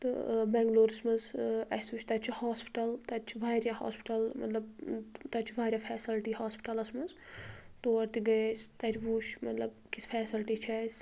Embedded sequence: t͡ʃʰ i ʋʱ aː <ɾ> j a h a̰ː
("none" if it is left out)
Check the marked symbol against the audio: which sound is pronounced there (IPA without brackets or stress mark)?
ɾ